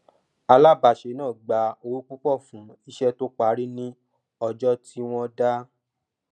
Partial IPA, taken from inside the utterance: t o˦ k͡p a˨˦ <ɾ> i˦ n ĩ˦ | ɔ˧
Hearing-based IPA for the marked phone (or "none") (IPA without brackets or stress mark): ɾ